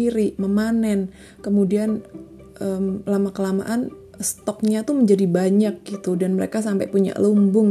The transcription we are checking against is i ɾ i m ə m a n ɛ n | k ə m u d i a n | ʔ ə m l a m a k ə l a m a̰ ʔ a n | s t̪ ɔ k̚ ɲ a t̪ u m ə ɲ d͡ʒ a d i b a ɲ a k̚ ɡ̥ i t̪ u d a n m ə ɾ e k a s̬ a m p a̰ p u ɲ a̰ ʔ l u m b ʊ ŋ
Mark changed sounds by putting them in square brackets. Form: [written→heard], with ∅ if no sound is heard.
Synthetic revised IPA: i ɾ i m ə m a n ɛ n | k ə m u d i a n | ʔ ə m l a m a k ə l a m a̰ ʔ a n | s t̪ ɔ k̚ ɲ a t̪ u m ə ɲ d͡ʒ a d i b a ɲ a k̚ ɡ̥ i t̪ u d a n m ə ɾ e k a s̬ a m p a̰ p u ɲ a̰ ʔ l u m b ʊ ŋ